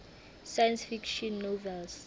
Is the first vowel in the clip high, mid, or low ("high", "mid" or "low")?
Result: low